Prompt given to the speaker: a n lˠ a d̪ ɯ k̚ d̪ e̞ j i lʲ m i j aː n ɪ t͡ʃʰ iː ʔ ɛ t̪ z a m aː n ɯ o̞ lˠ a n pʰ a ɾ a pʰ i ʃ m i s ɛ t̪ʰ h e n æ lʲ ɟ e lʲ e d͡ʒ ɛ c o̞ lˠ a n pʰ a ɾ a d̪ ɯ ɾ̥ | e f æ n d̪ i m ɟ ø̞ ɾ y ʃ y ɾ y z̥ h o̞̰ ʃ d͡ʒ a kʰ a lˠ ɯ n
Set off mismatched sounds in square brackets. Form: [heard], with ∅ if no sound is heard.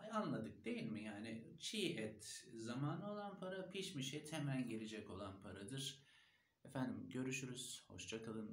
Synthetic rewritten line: a n lˠ a d̪ ɯ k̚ d̪ e̞ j i lʲ m i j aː n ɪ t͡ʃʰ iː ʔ ɛ t̪ z a m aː n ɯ o̞ lˠ a n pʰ a ɾ a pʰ i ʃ m i [ʃ] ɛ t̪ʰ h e [m] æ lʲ ɟ e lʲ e d͡ʒ ɛ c o̞ lˠ a n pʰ a ɾ a d̪ ɯ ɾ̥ | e f æ n d̪ i m ɟ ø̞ ɾ y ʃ y ɾ y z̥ h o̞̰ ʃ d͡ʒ a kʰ a lˠ ɯ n

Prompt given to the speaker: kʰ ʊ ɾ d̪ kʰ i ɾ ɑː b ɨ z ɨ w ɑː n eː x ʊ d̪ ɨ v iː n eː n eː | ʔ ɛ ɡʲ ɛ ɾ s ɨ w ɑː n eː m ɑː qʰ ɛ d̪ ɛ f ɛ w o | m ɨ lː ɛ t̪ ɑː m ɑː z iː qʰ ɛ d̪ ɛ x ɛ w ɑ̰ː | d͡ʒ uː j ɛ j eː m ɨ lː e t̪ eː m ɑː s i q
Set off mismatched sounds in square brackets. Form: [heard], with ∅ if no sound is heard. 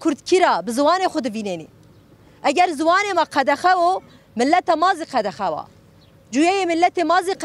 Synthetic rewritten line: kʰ ʊ ɾ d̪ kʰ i ɾ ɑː b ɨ z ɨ w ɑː n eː x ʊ d̪ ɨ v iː n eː n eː | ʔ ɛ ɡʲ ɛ ɾ [z] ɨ w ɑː n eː m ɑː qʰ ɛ d̪ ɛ [x] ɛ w o | m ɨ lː ɛ t̪ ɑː m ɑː z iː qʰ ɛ d̪ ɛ x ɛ w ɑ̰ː | d͡ʒ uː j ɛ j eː m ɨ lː [ɛ] t̪ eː m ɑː [z] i q

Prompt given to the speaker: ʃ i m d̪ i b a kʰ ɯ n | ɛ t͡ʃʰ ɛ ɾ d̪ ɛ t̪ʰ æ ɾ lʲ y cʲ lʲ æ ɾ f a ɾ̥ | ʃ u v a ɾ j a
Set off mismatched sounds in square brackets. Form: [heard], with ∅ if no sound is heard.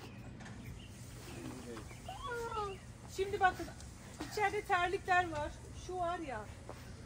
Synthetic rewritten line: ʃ i m d̪ i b a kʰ ɯ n | [i] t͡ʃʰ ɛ ɾ d̪ ɛ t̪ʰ æ ɾ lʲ [i] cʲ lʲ æ ɾ [v] a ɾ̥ | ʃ u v a ɾ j a

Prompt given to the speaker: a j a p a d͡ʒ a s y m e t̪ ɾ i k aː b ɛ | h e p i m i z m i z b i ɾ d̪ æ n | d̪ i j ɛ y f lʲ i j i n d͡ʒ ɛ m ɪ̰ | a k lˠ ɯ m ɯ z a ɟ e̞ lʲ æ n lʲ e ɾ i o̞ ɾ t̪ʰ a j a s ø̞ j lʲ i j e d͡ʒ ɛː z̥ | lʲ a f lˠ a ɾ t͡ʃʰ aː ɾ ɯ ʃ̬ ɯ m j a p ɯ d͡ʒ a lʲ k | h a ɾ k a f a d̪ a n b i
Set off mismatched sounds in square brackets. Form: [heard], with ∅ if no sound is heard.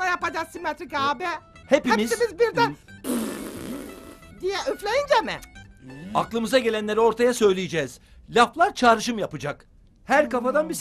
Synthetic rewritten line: a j a p a d͡ʒ a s [i] m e t̪ ɾ i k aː b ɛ | h e p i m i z m i z b i ɾ d̪ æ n | d̪ i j ɛ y f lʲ [e] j i n d͡ʒ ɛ m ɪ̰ | a k lˠ ɯ m ɯ z a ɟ e̞ lʲ æ n lʲ e ɾ i o̞ ɾ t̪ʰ a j a s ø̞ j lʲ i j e d͡ʒ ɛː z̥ | lʲ a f lˠ a ɾ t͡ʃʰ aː ɾ ɯ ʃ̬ ɯ m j a p ɯ d͡ʒ a [∅] k | h [æ] ɾ k a f a d̪ a n b i

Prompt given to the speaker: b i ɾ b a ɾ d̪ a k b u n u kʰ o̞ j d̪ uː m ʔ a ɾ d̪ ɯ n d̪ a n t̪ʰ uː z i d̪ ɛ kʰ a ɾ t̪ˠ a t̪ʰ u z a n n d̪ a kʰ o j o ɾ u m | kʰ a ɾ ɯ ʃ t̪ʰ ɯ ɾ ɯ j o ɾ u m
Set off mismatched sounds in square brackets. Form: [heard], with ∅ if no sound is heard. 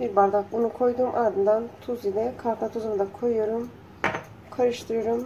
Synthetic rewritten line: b i ɾ b a ɾ d̪ a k b u n u kʰ o̞ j d̪ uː m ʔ a ɾ d̪ ɯ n d̪ a n t̪ʰ [u] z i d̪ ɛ kʰ a ɾ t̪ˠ a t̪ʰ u z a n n d̪ a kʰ o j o ɾ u m | kʰ a ɾ ɯ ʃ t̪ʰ ɯ ɾ ɯ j o ɾ u m

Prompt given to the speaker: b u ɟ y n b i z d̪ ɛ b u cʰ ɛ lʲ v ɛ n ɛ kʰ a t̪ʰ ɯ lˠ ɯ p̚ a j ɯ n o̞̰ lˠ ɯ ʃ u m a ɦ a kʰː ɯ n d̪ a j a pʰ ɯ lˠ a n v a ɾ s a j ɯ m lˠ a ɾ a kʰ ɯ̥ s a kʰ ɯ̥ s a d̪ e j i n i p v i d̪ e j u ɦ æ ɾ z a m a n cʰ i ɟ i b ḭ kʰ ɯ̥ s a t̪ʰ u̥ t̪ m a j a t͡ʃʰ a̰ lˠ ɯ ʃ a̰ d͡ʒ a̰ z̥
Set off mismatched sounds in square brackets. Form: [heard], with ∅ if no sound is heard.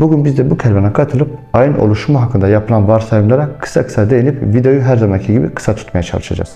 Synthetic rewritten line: b u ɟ y n b i z d̪ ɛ b u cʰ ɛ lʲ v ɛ n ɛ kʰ a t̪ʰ ɯ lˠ ɯ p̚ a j ɯ n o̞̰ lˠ [u] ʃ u m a ɦ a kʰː ɯ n d̪ a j a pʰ ɯ lˠ a n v a ɾ s a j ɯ m lˠ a ɾ a kʰ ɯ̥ s a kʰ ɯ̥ s a d̪ e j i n i p v i d̪ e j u ɦ æ ɾ z a m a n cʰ i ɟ i b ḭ kʰ ɯ̥ s a t̪ʰ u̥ t̪ m a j a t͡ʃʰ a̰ lˠ ɯ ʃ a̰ d͡ʒ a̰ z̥

